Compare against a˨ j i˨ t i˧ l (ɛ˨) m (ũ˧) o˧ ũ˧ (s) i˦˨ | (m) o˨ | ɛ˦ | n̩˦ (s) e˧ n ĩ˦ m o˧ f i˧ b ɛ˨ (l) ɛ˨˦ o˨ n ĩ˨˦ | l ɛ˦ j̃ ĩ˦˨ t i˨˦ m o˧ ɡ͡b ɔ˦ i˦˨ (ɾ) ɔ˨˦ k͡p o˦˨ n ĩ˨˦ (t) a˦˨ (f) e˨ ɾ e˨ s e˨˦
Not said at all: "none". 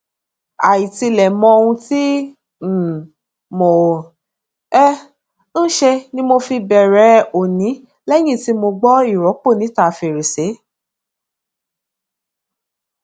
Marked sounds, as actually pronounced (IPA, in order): ɛ˨, ɔ̃˧, t, m, ʃ, ɾ, ɾ, t, f

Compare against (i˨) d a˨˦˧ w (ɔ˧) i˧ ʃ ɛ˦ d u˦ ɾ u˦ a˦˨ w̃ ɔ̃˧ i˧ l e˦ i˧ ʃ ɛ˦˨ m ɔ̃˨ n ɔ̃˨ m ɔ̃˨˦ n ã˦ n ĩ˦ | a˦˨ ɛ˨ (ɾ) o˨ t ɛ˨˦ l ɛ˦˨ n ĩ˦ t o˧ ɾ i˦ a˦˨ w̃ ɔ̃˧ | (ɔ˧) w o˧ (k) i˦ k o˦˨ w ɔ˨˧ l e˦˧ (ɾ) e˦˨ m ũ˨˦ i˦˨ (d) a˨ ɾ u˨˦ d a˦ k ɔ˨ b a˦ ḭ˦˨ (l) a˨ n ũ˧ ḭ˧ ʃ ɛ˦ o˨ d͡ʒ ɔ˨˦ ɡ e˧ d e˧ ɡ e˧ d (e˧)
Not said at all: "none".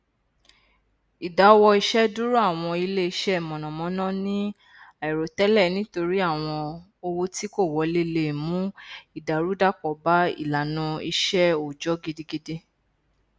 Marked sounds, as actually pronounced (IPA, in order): i˨, ɔ˧, ɾ, o˧, t, l, d, l, e˧

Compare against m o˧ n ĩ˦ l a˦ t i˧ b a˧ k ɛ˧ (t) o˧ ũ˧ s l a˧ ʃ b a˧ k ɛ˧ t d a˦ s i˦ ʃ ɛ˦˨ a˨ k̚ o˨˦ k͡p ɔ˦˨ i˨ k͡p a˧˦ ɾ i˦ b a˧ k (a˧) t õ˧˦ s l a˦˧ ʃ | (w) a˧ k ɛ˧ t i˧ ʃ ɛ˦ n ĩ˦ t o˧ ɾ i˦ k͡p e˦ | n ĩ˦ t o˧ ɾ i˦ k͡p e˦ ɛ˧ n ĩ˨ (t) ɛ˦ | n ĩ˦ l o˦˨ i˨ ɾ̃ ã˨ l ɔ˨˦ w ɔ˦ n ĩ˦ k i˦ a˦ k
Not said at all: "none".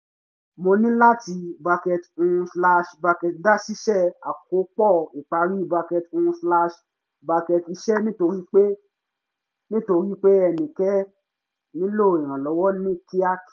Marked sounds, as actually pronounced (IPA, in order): t, ɛ˧, b, k

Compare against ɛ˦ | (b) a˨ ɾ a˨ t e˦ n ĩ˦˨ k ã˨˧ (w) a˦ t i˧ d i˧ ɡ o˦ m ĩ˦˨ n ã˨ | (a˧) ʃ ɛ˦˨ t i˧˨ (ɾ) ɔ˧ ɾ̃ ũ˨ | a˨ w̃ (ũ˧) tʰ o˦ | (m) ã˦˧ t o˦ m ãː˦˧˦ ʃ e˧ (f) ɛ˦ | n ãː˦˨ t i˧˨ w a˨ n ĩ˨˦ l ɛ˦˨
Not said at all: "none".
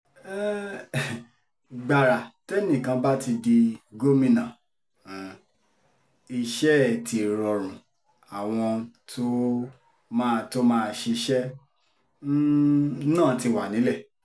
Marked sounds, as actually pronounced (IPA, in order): ɡ͡b, b, i˧, ɾ, ɔ̃˧, m, ʃ

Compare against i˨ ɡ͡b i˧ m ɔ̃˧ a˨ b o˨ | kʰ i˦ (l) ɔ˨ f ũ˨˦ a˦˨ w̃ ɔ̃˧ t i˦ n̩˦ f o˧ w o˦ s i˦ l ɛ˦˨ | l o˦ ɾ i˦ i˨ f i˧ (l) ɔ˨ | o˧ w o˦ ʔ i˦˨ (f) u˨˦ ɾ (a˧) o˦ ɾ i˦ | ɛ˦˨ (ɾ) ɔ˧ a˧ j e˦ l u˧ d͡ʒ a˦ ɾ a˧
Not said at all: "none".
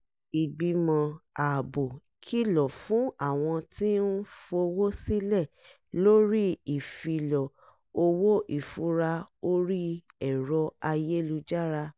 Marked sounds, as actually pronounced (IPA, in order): l, l, f, a˧, ɾ

